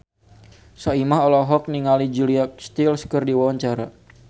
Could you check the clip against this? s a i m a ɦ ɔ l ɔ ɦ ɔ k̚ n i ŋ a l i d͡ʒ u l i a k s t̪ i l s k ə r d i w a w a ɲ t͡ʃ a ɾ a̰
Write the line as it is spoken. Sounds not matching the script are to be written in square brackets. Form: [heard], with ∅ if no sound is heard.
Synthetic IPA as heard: s a i m a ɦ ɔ l ɔ ɦ ɔ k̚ n i ŋ a l i d͡ʒ u l i a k s t̪ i l s k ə r d i w a w a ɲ t͡ʃ a ɾ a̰